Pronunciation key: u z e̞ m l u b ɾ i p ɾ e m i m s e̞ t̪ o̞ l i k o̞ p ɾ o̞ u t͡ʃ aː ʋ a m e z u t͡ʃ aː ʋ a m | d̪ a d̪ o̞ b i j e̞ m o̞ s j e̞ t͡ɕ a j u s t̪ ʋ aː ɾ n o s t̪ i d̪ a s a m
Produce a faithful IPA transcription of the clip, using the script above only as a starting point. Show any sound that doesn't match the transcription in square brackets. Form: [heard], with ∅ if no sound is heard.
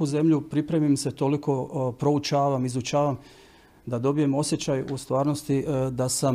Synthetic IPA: u z e̞ m [ʎ] u [p] ɾ i p ɾ e m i m s e̞ t̪ o̞ l i k o̞ p ɾ o̞ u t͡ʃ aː ʋ a m [i] z u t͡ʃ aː ʋ a m | d̪ a d̪ o̞ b i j e̞ m o̞ s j e̞ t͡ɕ a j u s t̪ ʋ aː ɾ n o s t̪ i d̪ a s a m